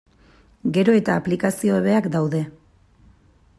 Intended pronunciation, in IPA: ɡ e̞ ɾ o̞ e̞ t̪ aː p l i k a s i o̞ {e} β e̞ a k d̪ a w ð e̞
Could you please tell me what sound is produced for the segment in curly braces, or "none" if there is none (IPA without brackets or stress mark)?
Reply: e